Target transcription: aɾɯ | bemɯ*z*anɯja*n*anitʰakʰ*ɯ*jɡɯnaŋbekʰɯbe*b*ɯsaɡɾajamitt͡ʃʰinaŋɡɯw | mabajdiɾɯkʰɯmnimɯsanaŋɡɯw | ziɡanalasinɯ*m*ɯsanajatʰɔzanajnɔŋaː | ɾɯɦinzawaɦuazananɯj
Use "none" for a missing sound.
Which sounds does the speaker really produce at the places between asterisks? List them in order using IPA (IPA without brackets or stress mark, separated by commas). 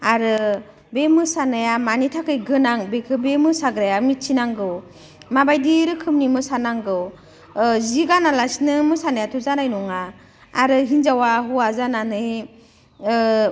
s, m, ɯ, m, m